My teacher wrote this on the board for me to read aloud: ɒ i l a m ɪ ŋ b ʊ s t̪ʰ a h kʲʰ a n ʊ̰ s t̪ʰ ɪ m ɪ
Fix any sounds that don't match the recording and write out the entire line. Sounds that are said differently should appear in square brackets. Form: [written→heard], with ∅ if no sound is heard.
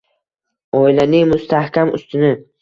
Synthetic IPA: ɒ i l a [m→n] ɪ ŋ [b→m] ʊ s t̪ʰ a h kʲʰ a [n→m] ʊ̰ s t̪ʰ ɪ [m→n] ɪ